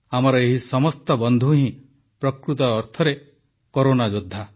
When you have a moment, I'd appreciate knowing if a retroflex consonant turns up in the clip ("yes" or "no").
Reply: no